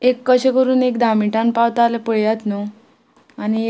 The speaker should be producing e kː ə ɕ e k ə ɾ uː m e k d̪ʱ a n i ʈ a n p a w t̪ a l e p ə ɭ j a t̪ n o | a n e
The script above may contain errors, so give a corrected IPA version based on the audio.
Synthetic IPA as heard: e kː ə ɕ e k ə ɾ uː n e k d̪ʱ a m i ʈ a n p a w t̪ a l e p ə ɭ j a t̪ n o | a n i